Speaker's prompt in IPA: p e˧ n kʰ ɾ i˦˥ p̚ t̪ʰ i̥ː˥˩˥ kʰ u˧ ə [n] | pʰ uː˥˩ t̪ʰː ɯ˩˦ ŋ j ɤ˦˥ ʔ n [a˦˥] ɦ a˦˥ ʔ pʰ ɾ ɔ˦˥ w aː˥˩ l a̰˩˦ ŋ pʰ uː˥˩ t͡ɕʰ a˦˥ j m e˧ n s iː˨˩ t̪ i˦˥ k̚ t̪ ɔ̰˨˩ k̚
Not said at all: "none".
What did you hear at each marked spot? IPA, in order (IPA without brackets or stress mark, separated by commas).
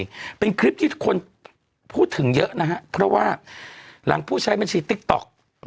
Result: n, a˦˥